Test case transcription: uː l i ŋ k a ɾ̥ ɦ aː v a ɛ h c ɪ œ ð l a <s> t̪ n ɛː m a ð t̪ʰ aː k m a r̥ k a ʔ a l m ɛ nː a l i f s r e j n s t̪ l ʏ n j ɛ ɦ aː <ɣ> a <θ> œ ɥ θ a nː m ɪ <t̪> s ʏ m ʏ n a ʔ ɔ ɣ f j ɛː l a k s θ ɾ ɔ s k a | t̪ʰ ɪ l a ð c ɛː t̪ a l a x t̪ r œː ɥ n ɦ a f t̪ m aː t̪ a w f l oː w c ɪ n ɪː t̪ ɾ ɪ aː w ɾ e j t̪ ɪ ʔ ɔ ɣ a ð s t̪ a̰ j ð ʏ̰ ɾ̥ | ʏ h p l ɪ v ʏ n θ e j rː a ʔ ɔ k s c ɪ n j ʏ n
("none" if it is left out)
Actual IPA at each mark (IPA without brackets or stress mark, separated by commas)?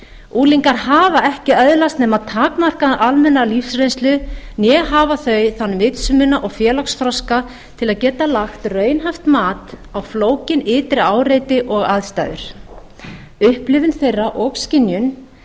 s, v, θ, t̪